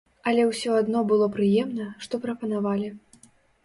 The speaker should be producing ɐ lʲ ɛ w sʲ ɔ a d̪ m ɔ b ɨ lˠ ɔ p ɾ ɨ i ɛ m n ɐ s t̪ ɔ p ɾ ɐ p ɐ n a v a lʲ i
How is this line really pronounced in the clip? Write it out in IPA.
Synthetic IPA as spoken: ɐ lʲ ɛ w sʲ ɔ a d̪ n ɔ b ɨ lˠ ɔ p ɾ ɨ j ɛ m n ɐ ʂ t̪ ɔ p ɾ ɐ p ɐ n a v a lʲ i

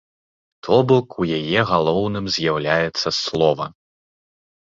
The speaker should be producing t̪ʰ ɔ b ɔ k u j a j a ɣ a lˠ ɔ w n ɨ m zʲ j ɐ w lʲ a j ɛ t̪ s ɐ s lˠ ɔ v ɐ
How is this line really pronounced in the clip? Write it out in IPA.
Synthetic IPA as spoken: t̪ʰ ɔ b ɔ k u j a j ɛ ɣ a lˠ ɔ w n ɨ m zʲ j a w lʲ a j ɛ t̪ sː ɐ s lˠ ɔ v ɐ

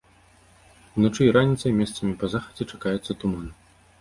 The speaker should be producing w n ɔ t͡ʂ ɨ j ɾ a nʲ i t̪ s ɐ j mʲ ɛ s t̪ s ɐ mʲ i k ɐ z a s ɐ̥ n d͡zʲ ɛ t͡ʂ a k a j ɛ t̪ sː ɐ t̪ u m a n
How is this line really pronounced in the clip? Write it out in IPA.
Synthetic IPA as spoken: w n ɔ t͡ʂ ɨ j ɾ a nʲ i t̪ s ɐ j mʲ ɛ s t̪ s ɐ mʲ i p ɐ z a x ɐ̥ d͡zʲ ɛ t͡ʂ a k a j ɛ t̪ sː ɐ t̪ u m a n

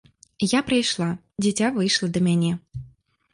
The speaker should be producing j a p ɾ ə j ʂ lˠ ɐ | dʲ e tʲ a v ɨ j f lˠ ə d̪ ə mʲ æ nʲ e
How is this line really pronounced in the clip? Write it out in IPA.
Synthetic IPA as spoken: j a p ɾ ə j ʃ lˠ ɑ | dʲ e tʲ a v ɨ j ʃ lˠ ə d̪ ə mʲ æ nʲ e

